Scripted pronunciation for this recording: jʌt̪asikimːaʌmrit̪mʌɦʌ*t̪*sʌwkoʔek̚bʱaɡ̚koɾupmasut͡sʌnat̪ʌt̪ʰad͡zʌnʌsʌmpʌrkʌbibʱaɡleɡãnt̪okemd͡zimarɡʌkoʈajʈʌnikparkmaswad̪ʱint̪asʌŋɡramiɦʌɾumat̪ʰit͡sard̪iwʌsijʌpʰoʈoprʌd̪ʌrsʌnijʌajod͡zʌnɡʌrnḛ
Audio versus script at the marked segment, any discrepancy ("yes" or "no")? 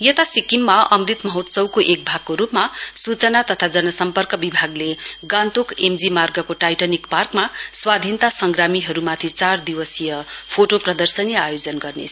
no